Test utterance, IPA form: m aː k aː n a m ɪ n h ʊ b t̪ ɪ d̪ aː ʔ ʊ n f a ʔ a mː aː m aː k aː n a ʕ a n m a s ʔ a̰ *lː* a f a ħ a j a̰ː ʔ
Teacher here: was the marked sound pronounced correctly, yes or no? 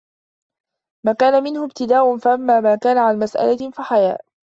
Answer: no